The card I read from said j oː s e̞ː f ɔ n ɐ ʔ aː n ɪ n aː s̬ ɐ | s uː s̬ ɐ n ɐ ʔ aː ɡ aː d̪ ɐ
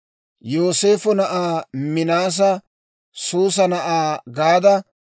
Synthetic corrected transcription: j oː s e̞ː f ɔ n ɐ ʔ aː m ɪ n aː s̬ ɐ | s uː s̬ ɐ n ɐ ʔ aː ɡ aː d̪ ɐ